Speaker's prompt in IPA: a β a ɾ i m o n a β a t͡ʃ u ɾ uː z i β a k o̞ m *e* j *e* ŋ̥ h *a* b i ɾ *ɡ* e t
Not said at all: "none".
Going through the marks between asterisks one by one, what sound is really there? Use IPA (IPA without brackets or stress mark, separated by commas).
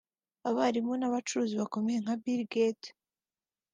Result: e, e, a, ɡ